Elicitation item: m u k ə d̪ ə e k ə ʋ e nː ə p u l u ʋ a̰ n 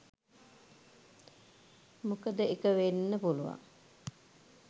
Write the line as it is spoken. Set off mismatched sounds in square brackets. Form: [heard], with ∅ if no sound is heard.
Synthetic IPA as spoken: m u k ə d̪ ə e k ə ʋ e nː ə p u l u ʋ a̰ [ŋ]